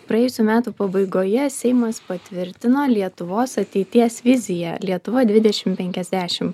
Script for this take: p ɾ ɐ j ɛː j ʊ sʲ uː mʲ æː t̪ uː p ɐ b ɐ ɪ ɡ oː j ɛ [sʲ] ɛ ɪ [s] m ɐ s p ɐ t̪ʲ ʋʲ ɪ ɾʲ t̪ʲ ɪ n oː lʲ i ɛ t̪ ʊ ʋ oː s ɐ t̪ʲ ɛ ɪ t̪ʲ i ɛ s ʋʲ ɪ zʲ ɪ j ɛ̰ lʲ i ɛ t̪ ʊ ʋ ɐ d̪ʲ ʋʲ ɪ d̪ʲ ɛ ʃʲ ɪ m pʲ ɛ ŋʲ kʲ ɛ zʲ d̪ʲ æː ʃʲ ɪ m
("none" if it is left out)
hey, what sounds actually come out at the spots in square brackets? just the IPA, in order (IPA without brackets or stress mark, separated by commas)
sʲ, none